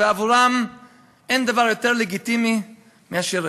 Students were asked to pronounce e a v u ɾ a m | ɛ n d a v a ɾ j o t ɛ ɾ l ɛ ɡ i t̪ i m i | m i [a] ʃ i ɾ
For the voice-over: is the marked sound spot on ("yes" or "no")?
yes